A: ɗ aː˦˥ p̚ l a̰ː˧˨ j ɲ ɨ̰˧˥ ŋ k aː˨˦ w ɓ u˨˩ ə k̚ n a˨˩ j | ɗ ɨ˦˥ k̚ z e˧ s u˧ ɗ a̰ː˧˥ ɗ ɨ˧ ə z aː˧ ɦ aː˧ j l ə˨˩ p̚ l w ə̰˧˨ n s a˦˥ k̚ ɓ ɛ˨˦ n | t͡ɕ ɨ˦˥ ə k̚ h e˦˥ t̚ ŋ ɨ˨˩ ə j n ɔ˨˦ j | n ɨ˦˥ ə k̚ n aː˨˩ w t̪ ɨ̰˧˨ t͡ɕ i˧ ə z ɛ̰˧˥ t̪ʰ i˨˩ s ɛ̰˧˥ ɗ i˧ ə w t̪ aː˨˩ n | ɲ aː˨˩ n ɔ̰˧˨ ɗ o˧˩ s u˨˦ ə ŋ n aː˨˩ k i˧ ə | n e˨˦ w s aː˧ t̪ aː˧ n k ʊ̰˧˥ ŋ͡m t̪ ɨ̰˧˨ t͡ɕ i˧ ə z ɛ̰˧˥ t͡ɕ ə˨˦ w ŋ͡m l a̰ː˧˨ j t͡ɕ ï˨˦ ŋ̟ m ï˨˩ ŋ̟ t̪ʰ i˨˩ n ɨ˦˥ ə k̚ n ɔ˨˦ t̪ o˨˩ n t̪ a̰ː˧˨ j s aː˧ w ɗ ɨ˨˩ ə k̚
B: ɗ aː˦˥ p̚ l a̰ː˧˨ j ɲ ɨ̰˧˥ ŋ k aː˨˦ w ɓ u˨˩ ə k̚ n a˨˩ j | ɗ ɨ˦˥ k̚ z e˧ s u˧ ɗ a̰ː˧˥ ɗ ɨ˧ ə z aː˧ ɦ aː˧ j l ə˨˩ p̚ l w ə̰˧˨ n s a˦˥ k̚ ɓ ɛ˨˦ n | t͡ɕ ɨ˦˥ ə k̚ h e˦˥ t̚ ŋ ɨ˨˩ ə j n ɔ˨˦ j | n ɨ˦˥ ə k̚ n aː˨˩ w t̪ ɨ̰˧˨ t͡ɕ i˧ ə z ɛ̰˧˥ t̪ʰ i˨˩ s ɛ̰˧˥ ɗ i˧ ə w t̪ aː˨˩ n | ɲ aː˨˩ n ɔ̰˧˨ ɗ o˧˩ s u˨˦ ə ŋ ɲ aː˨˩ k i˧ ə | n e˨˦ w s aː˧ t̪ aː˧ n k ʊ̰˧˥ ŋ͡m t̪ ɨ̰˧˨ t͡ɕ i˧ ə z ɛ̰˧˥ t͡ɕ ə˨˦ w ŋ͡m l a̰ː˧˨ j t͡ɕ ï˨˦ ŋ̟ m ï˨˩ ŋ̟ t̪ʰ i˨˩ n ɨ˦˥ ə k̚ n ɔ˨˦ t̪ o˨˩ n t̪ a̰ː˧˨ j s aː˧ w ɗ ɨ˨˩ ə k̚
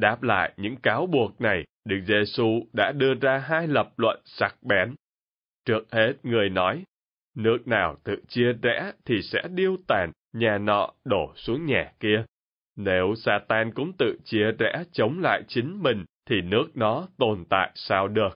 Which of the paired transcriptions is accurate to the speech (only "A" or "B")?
B